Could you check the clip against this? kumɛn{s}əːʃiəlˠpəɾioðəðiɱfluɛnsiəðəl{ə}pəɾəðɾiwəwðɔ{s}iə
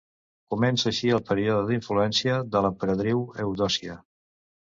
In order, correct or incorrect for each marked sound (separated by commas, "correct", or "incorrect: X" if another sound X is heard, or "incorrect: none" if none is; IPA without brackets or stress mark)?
correct, correct, correct